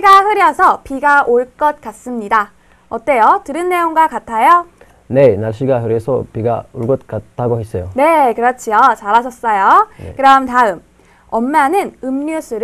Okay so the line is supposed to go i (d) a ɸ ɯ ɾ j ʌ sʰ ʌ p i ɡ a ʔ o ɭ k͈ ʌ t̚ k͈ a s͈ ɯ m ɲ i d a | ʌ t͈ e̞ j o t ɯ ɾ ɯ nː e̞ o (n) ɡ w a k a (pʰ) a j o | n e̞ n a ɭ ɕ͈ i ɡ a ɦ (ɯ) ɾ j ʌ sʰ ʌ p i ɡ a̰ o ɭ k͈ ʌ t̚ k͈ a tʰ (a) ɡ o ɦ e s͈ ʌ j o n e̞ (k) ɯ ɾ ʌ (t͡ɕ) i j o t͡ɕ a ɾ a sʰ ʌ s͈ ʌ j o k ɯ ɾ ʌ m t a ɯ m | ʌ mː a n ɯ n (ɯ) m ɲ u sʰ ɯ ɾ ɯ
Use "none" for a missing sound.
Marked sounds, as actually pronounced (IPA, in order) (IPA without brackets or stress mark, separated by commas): ɡ, ŋ, tʰ, ɯ, a, k, t͡ɕʰ, ɯ